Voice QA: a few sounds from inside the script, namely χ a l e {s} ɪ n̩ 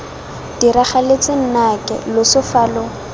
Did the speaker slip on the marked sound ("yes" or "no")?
yes